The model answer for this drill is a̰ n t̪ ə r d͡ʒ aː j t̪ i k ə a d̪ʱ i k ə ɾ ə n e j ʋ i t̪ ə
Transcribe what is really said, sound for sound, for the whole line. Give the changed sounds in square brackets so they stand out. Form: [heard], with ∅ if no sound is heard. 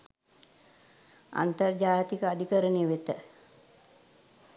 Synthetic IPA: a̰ n t̪ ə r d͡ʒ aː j t̪ i k ə a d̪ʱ i k ə ɾ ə n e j ʋ [e] t̪ ə